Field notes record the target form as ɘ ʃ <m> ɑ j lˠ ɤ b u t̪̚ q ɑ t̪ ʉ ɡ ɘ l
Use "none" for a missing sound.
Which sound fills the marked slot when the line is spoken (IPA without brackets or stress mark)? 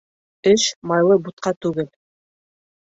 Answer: m